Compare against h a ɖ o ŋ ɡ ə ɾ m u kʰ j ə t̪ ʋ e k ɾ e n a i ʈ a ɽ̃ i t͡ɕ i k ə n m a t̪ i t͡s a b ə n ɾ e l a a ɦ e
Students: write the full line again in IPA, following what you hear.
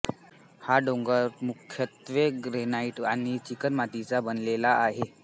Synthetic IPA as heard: h a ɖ o ŋ ɡ ə ɾ m u kʰ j ə t̪ ʋ e ɡ ɾ e n a i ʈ a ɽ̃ i t͡ɕ i k ə n m a t̪ i t͡s a b ə n l e l a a ɦ e